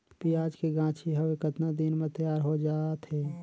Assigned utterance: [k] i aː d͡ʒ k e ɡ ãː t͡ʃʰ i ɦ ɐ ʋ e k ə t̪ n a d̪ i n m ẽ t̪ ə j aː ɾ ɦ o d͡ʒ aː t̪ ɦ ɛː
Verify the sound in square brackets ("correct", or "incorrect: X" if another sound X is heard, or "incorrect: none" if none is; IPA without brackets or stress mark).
incorrect: p